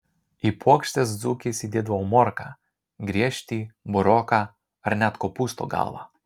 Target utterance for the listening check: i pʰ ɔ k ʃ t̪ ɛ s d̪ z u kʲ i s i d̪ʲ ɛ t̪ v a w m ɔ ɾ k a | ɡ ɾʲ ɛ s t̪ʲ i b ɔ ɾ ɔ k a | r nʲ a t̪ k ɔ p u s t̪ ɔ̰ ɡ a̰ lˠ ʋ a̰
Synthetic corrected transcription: i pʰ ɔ k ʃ t̪ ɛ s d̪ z u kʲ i s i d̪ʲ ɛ d̪ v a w m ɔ ɾ k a | ɡ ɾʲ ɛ ʃ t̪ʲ i b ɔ ɾ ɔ k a | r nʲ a t̪ k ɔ p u s t̪ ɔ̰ ɡ a̰ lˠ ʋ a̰